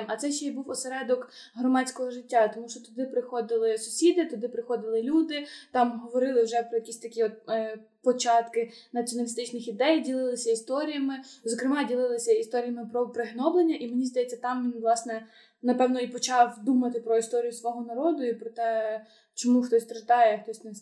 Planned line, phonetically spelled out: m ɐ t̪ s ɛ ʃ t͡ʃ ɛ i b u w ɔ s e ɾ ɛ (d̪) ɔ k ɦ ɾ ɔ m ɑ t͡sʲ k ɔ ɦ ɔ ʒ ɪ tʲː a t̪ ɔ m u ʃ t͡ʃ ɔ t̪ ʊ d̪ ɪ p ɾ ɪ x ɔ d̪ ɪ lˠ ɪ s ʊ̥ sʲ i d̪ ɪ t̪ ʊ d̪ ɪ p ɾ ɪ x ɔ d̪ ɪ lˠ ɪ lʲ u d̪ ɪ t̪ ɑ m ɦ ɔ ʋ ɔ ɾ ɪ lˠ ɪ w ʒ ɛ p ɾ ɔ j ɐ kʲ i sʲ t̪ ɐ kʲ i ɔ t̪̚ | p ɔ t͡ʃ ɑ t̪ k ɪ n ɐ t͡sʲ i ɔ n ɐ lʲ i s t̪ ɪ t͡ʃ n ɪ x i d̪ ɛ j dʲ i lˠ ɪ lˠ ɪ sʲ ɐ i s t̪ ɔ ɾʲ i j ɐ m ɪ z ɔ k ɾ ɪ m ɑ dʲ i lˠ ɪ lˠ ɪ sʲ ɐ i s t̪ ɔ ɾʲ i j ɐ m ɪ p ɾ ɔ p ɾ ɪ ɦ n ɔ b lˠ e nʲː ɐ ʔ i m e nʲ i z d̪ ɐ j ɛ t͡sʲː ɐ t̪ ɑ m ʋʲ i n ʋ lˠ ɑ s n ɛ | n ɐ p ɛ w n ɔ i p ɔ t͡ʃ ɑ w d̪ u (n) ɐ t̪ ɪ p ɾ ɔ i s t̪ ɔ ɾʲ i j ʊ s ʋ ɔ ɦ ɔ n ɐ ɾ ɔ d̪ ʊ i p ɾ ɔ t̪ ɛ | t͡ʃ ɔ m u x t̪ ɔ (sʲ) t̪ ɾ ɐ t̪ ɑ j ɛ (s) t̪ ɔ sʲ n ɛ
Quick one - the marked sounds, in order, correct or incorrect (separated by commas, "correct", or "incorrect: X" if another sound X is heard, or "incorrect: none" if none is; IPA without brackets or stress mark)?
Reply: correct, incorrect: m, correct, incorrect: x